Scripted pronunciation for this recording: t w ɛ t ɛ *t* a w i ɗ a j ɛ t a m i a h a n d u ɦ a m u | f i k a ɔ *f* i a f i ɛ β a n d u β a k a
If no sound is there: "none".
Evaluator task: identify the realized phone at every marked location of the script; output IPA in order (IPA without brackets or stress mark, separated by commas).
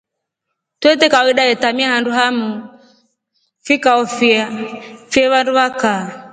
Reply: k, f